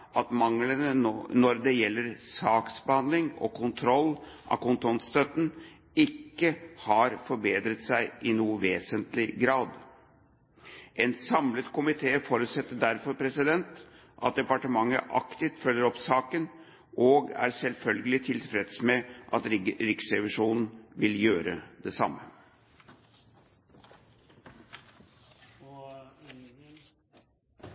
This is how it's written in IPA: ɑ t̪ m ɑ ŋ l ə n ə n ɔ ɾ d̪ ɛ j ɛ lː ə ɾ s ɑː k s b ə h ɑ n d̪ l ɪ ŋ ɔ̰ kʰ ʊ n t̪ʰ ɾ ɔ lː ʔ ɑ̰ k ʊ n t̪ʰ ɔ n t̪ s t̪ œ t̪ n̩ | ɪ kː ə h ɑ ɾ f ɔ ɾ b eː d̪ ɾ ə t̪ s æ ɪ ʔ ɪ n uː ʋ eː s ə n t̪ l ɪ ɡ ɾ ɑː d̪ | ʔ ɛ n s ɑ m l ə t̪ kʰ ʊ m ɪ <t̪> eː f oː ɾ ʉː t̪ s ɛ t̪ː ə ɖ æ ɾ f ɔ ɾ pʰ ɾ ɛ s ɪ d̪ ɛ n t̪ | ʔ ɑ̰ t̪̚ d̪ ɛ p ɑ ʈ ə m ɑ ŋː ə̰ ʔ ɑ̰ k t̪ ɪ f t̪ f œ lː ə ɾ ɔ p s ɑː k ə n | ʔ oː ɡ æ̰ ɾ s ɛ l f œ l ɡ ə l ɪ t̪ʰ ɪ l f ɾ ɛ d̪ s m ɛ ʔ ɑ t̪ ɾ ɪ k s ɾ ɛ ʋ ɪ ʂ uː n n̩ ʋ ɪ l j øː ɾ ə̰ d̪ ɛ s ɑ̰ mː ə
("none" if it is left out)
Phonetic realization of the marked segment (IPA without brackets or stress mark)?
t̪ʰ